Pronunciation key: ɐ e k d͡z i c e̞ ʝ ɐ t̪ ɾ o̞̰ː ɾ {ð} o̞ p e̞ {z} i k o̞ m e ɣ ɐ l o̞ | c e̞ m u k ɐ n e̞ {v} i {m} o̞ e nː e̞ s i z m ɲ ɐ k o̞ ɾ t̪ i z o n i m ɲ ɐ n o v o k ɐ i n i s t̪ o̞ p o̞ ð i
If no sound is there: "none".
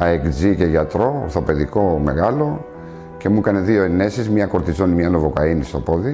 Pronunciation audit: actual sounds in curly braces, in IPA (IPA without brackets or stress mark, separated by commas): θ, ð, ð, none